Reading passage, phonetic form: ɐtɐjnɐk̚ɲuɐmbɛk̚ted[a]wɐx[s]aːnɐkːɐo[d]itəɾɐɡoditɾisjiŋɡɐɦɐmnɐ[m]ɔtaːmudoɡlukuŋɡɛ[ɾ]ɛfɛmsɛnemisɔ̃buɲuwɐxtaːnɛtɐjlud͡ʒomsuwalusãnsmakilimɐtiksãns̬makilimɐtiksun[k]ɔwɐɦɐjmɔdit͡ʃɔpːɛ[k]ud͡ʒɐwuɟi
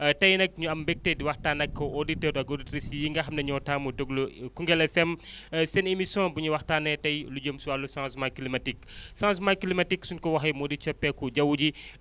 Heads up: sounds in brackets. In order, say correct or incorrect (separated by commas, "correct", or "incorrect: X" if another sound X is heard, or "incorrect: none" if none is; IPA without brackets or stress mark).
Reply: incorrect: i, incorrect: t, correct, incorrect: ɲ, incorrect: l, correct, correct